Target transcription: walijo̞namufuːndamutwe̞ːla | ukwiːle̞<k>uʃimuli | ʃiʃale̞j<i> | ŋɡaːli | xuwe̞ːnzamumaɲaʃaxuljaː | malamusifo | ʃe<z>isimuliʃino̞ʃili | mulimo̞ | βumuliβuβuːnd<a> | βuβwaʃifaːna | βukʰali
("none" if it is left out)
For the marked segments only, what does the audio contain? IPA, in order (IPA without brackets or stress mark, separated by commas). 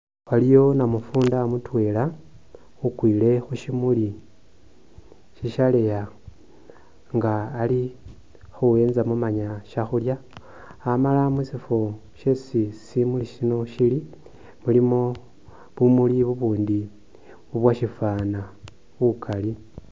x, a, s, i